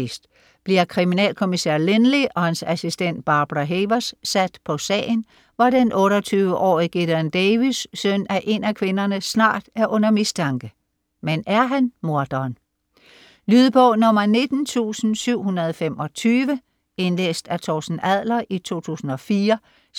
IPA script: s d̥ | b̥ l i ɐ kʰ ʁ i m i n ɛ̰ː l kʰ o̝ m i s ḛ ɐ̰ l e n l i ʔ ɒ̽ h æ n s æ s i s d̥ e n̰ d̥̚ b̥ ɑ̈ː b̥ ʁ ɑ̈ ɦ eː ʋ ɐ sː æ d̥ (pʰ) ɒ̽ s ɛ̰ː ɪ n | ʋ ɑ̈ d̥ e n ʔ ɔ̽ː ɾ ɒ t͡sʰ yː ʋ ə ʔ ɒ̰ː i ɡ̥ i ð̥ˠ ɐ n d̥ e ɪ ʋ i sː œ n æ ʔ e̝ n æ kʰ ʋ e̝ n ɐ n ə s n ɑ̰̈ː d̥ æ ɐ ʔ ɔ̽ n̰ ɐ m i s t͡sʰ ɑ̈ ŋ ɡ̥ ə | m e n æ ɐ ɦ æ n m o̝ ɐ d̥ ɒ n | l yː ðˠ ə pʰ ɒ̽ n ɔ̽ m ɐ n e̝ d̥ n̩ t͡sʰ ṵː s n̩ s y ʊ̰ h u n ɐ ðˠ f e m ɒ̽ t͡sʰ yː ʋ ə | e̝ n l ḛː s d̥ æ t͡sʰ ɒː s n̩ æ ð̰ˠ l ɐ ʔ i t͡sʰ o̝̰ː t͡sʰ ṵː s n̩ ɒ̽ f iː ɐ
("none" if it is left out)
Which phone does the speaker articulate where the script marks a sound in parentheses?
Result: pʰ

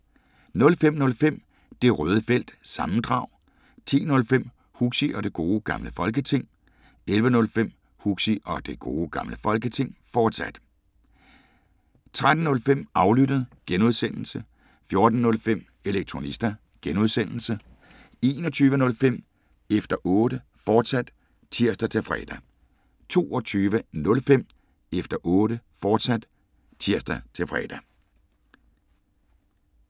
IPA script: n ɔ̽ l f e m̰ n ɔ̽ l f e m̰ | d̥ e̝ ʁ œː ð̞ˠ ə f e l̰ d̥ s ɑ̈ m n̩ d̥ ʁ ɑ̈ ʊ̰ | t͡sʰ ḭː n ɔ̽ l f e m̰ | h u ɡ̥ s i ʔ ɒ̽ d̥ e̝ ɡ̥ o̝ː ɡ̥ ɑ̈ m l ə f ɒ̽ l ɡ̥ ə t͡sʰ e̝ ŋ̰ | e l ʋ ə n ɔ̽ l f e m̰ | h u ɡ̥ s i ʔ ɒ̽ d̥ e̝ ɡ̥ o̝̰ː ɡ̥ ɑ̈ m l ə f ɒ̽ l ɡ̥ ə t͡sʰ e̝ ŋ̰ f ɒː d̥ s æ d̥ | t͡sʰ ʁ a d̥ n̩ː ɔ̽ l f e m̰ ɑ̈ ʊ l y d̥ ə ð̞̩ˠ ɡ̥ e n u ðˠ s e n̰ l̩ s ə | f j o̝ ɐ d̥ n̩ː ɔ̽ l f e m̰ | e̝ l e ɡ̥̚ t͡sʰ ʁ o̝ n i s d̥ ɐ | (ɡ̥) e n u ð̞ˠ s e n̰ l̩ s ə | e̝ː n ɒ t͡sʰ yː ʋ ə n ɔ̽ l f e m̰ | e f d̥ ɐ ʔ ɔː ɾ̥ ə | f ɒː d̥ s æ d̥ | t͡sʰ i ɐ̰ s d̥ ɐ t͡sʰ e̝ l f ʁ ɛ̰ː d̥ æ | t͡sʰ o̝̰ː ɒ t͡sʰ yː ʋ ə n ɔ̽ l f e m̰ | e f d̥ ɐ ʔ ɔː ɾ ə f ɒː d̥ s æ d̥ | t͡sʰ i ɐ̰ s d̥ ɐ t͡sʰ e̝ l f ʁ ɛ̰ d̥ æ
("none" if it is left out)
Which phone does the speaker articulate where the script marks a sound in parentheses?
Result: ɡ̥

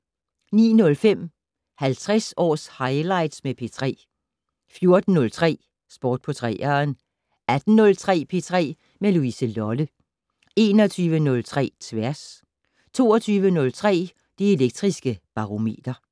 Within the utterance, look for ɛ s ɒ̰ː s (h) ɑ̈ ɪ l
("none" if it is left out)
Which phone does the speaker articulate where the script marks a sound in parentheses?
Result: h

